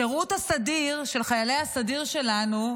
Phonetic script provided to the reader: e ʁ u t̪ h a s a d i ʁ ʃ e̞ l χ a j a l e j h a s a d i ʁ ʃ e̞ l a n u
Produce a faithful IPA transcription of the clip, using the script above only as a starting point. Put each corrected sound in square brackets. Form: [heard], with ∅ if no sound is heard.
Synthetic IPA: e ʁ u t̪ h a s a d i ʁ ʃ e̞ l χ a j a l e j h a s a d i ʁ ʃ e̞ l a n u